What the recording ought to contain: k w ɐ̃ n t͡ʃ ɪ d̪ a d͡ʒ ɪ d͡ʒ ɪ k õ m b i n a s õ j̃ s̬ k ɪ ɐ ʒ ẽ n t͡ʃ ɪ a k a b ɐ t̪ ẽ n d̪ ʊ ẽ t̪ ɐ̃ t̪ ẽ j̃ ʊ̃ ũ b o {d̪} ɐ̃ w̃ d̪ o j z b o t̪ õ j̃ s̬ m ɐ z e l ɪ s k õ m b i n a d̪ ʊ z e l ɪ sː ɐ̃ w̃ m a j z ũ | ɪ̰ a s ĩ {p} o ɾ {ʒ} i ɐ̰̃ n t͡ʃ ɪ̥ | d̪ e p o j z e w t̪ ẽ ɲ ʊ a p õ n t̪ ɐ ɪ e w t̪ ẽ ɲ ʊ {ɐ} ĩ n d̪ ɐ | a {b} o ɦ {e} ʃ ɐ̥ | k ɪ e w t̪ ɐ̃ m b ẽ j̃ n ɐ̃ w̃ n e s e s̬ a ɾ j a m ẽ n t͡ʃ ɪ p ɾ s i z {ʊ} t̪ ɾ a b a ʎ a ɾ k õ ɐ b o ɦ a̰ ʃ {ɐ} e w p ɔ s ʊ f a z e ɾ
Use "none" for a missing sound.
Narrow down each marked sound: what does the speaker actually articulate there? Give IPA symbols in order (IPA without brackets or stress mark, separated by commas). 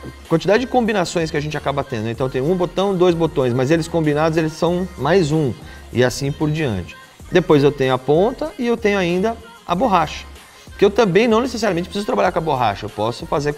t̪, p, d͡ʒ, a, b, a, ʊ, ɐ